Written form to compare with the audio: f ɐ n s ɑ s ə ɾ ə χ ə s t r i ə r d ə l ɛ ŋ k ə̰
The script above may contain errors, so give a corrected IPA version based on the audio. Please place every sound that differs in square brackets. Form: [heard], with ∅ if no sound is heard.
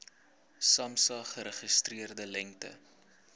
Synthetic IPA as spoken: [s] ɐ [m] s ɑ [χ] ə ɾ ə χ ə s t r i ə r d ə l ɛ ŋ [t] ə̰